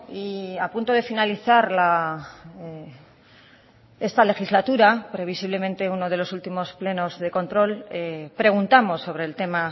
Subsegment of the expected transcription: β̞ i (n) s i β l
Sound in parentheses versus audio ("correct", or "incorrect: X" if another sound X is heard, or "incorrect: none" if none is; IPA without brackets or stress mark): incorrect: none